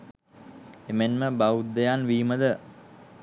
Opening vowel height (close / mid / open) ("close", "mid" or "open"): mid